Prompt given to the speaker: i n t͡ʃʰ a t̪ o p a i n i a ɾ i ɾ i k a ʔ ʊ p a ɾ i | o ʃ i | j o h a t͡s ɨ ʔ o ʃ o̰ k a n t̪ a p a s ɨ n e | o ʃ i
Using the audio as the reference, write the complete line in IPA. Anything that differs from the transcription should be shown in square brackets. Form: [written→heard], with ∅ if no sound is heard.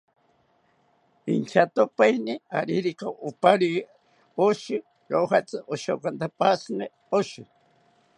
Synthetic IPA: i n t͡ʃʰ a t̪ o p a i n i a ɾ i ɾ i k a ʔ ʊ p a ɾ i | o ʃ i | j o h a t͡s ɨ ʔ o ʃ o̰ k a n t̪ a p a s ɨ n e | o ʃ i